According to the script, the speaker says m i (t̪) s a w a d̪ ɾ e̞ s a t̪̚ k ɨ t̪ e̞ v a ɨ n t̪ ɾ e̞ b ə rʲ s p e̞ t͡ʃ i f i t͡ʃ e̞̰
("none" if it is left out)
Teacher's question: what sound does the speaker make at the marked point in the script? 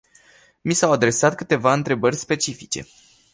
none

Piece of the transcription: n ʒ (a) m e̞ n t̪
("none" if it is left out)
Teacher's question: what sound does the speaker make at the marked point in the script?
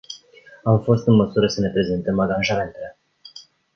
a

